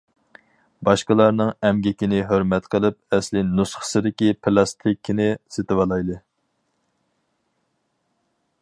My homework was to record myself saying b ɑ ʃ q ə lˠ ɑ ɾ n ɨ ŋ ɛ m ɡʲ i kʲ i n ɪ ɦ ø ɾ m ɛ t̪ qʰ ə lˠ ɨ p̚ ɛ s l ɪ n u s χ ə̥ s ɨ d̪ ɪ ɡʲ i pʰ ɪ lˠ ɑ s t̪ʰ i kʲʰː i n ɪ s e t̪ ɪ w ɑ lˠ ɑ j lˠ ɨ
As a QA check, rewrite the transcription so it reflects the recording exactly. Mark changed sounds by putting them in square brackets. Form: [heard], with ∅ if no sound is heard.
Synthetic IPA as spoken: b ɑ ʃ q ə lˠ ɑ ɾ n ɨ ŋ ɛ m ɡʲ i kʲ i n ɪ ɦ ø ɾ m ɛ t̪ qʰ ə lˠ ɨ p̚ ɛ s l ɪ n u s χ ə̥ s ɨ d̪ ɪ [kʲ] i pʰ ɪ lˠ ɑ s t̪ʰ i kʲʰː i n ɪ s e t̪ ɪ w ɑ lˠ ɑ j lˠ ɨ